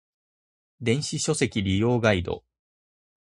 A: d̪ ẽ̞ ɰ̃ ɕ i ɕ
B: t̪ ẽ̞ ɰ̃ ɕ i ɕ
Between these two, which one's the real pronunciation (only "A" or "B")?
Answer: A